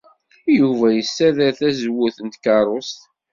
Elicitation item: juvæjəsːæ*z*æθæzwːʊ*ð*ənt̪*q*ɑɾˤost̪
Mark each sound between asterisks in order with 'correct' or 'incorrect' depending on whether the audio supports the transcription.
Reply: incorrect, incorrect, incorrect

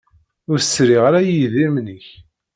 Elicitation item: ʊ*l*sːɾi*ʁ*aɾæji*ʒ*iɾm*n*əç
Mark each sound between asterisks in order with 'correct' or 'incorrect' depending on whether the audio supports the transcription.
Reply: incorrect, correct, incorrect, correct

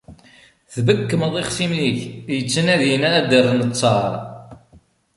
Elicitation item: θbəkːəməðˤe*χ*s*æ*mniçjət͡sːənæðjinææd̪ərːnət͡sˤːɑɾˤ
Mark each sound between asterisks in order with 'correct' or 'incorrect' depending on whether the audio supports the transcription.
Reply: correct, incorrect

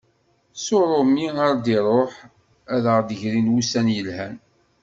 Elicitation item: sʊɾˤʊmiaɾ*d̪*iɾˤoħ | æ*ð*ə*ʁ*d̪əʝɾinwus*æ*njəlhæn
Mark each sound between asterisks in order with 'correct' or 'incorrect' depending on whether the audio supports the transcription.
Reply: correct, correct, correct, correct

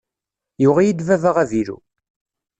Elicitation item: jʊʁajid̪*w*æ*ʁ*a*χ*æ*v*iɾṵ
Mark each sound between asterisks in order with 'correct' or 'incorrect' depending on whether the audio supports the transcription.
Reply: incorrect, incorrect, incorrect, correct

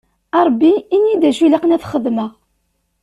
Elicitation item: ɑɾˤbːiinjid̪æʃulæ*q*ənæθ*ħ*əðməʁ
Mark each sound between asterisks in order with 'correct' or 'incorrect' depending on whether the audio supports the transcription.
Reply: correct, incorrect

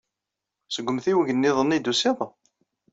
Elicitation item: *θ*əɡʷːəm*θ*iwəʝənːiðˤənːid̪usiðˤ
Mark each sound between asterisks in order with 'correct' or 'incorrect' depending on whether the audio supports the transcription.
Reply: incorrect, correct

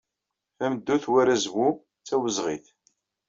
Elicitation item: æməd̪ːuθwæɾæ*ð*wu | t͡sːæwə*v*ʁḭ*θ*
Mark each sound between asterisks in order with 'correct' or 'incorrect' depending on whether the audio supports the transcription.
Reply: incorrect, incorrect, correct

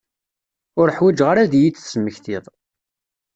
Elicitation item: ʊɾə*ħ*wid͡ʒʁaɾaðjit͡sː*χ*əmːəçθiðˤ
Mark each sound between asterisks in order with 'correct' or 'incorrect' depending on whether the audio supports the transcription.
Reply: correct, incorrect

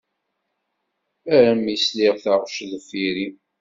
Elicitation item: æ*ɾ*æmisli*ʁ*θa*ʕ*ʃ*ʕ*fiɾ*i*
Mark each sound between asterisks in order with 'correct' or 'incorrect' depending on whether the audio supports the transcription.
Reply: correct, correct, incorrect, incorrect, correct

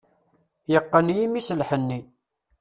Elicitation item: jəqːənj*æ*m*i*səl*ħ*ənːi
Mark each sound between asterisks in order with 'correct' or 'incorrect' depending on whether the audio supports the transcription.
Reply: incorrect, correct, correct

